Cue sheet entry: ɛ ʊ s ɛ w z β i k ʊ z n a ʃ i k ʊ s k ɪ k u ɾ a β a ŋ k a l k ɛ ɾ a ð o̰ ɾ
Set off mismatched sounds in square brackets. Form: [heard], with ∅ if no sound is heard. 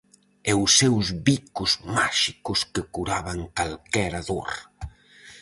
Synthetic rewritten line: ɛ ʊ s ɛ w z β i k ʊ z [m] a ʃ i k ʊ s k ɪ k u ɾ a β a ŋ k a l k ɛ ɾ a ð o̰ ɾ